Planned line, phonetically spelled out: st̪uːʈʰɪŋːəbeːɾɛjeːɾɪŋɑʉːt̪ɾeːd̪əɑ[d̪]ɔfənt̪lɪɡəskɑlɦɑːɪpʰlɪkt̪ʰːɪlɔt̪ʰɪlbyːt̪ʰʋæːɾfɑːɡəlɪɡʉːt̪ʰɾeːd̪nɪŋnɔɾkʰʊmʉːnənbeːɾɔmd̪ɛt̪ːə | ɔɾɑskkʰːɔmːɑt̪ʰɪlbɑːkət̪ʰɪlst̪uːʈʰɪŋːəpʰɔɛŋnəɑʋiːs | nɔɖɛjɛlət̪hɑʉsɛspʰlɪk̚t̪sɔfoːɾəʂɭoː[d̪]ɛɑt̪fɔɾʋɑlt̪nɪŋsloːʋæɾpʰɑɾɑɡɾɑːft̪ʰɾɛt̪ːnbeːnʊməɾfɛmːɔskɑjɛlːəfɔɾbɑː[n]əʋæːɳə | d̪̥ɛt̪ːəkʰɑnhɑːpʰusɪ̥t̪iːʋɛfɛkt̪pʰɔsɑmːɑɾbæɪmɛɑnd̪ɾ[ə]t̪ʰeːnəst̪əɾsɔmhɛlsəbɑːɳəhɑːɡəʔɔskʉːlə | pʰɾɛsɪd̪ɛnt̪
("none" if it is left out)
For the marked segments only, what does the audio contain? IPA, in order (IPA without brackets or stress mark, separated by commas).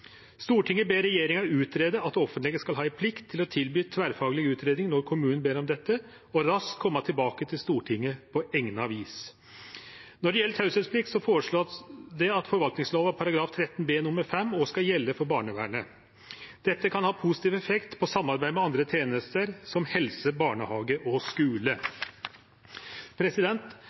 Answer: t̪, d̪, ɳ, ə